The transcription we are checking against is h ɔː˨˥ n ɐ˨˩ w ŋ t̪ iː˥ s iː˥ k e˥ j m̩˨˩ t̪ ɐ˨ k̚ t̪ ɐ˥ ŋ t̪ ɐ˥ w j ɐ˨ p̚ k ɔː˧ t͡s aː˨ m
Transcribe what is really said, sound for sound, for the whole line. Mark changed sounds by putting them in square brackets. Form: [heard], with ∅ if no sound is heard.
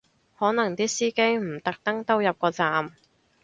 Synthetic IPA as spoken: h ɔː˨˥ n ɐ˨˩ [∅] ŋ t̪ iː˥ s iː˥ k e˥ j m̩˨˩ t̪ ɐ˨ k̚ t̪ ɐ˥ ŋ t̪ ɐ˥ w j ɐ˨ p̚ k ɔː˧ t͡s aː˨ m